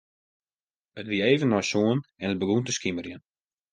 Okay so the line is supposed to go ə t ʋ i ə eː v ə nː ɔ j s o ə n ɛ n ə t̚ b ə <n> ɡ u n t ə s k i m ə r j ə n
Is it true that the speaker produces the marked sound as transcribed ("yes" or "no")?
no